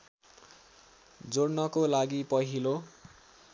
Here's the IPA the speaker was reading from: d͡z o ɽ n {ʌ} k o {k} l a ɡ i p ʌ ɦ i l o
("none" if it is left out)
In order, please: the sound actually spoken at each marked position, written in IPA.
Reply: ʌ, none

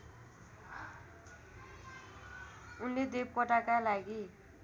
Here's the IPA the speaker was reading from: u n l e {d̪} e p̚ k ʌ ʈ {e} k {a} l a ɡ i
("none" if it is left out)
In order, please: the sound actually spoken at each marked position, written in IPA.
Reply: d̪, a, a

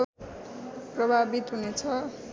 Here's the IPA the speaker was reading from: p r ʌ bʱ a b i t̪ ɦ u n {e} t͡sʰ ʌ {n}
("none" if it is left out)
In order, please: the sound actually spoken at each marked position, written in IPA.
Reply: e, none

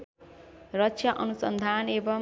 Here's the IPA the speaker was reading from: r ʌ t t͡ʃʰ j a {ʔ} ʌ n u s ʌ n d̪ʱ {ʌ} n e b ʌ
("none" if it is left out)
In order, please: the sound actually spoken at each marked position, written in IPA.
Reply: ʔ, a

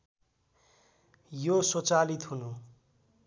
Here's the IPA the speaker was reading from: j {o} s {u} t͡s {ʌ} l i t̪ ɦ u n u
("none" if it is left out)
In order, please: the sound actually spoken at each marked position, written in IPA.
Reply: o, o, a

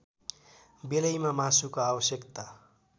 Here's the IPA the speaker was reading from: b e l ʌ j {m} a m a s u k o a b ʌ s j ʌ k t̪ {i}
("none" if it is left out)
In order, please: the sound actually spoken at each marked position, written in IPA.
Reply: m, a

